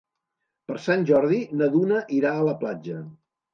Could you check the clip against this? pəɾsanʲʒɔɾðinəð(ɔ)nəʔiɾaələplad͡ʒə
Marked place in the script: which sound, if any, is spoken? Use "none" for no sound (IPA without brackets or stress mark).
u